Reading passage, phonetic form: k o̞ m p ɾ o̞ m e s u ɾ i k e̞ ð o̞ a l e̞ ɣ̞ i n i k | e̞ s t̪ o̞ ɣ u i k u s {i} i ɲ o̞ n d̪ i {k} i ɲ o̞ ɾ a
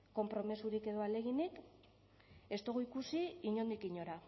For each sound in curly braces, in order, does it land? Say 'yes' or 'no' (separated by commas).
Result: yes, yes